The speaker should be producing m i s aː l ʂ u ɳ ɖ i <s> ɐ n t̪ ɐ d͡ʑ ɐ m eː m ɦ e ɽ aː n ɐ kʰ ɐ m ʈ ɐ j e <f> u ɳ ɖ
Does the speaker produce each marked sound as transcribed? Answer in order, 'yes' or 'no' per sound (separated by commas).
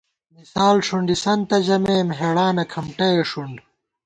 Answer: yes, no